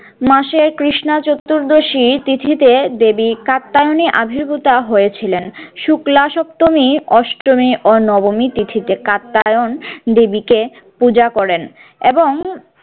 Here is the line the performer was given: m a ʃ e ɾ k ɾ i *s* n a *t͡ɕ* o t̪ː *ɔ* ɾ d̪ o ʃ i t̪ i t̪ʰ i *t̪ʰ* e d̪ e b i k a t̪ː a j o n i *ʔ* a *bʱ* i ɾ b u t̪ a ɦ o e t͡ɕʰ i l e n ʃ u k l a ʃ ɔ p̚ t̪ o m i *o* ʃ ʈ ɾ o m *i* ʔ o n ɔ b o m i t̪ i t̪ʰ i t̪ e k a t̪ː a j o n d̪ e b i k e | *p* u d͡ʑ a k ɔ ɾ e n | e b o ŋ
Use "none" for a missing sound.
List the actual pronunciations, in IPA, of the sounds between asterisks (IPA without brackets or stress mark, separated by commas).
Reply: ʃ, t͡ɕ, u, t̪, ʔ, bʱ, ɔ, i, p